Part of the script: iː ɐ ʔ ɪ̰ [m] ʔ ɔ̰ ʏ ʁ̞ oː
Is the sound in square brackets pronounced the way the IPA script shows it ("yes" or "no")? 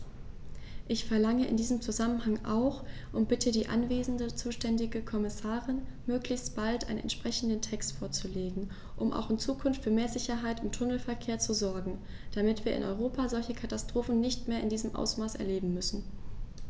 no